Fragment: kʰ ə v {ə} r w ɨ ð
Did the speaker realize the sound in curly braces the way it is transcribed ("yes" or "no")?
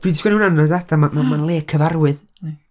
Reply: no